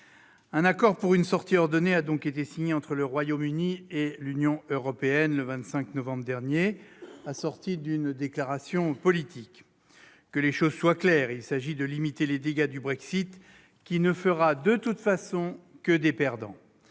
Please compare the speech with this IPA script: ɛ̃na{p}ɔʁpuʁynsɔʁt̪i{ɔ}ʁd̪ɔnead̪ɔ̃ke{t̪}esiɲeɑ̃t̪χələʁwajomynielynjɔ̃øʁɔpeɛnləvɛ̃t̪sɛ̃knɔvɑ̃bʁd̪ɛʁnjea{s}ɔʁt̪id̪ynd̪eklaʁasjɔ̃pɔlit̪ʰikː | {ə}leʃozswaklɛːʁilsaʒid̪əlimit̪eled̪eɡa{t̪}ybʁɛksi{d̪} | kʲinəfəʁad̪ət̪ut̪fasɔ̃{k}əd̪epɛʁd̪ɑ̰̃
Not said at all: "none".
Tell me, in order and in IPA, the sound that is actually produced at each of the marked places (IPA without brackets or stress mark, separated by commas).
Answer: k, ɔ, t̪, s, ə, d̪, t̪, k